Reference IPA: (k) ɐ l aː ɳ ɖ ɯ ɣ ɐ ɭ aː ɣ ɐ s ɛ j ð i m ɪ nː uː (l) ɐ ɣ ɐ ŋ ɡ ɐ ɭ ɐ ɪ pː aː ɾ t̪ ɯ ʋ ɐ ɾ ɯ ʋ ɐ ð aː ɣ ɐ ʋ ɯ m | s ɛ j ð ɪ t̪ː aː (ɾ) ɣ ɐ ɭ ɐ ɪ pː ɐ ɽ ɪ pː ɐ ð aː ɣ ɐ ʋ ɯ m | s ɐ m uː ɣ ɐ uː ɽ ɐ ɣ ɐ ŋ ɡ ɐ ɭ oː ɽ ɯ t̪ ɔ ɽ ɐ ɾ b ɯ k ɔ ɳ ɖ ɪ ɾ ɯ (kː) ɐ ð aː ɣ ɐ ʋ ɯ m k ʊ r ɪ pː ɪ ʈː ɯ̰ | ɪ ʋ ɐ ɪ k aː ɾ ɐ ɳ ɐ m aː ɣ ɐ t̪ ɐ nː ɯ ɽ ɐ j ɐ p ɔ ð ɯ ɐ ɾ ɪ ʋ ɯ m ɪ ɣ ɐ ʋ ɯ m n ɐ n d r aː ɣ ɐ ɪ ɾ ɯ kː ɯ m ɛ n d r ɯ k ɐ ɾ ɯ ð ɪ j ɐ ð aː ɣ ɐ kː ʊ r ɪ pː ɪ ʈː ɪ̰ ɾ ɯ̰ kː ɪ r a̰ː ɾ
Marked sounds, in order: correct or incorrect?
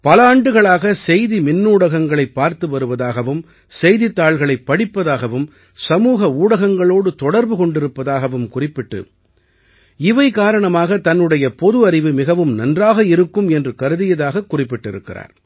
incorrect: p, incorrect: ɽ, incorrect: ɭ, incorrect: pː

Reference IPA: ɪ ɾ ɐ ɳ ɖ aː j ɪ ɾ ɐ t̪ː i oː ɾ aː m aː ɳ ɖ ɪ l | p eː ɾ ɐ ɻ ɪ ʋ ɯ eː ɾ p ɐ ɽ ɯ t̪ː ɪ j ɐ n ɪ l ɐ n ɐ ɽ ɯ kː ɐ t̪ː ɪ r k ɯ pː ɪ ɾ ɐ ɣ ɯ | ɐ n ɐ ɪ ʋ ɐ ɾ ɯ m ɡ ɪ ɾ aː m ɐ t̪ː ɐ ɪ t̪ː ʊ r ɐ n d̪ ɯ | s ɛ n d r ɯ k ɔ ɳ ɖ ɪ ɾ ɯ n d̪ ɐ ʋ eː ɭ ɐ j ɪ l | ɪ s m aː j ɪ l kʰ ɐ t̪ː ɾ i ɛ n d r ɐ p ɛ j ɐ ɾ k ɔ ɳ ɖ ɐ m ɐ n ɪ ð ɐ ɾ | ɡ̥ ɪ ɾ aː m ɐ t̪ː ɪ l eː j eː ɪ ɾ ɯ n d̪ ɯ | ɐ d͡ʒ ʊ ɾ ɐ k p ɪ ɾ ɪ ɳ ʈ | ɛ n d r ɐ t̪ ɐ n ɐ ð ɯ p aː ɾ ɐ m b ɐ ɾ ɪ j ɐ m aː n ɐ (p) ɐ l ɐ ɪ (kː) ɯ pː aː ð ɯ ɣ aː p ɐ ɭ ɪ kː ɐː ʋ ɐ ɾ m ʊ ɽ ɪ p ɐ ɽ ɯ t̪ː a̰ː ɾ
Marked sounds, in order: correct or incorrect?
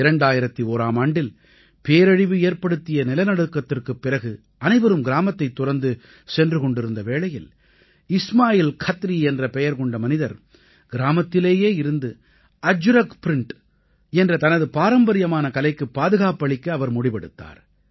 incorrect: k, correct

